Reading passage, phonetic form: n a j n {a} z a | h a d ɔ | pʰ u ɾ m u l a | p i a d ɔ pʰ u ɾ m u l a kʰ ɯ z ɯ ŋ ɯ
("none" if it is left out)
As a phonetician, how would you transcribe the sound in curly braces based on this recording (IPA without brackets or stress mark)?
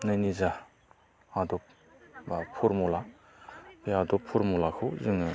i